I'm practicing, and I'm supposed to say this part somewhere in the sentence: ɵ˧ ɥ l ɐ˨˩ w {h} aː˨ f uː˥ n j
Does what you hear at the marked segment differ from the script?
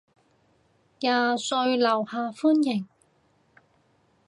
no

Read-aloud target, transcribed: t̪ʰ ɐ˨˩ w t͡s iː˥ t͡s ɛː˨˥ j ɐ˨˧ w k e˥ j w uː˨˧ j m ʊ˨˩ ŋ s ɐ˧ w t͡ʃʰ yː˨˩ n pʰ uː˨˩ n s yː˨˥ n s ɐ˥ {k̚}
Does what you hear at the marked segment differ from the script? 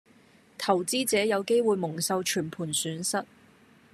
yes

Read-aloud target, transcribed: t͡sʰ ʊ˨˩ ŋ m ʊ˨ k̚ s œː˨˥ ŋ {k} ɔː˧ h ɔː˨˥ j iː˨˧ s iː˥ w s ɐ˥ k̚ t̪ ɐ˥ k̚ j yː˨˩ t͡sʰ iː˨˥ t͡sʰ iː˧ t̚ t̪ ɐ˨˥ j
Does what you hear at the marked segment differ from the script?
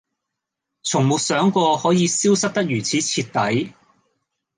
no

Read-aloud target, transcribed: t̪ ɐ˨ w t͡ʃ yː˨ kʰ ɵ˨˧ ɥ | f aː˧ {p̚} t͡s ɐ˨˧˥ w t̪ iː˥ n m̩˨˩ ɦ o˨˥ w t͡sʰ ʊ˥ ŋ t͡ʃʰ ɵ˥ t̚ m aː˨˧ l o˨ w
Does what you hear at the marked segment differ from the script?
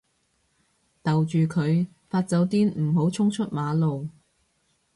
yes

